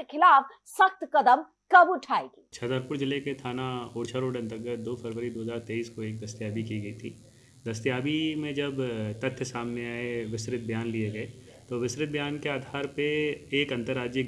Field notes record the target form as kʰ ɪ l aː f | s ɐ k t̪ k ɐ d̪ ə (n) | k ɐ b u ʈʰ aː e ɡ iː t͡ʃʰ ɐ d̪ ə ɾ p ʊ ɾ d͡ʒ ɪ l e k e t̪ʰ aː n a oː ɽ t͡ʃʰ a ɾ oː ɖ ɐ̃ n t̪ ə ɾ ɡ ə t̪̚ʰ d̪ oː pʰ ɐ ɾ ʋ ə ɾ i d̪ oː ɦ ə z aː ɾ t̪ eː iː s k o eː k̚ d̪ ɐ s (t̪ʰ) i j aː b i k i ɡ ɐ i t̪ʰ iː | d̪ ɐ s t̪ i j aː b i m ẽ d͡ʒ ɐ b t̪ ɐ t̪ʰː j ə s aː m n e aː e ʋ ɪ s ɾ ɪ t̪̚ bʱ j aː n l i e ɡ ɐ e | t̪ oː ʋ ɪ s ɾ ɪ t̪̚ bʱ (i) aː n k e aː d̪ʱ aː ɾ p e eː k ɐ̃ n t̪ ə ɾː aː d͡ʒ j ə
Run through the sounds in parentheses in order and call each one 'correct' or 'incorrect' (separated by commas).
incorrect, incorrect, incorrect